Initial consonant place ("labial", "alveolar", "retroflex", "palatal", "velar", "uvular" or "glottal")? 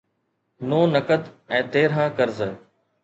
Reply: alveolar